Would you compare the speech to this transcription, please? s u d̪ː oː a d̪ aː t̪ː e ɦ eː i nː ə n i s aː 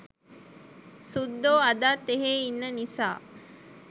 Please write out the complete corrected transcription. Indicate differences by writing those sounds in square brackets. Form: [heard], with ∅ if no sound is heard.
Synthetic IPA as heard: s u d̪ː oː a d̪ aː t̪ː e ɦ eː i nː ə n i s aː